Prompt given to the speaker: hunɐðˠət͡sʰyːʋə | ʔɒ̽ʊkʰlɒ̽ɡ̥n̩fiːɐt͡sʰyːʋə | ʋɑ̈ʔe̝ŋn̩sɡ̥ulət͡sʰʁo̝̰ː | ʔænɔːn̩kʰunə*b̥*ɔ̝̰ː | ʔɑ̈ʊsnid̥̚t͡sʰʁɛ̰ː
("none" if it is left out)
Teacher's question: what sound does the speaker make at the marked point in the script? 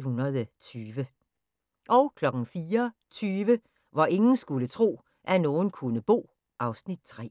b̥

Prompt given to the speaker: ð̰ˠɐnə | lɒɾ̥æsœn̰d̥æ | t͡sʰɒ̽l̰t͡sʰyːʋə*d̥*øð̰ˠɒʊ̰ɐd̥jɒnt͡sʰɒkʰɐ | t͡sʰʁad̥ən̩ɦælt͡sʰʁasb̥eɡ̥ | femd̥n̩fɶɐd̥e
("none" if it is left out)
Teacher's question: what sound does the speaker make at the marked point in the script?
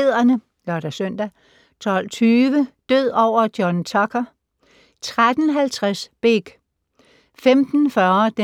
d̥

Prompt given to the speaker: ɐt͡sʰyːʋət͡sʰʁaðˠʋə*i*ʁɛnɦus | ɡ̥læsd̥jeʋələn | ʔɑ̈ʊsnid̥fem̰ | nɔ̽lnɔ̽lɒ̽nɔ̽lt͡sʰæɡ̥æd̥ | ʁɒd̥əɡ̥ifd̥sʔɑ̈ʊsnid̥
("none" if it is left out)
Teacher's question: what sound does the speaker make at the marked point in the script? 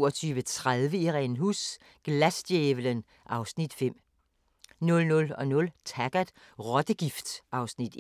i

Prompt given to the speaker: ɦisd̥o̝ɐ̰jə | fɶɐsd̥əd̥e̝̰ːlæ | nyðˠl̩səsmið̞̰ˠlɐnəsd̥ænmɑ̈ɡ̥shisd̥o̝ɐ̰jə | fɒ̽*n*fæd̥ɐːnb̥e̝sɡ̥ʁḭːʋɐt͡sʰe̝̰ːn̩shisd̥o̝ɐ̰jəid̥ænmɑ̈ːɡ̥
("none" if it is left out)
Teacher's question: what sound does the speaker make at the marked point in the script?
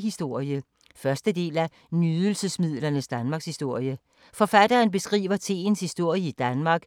none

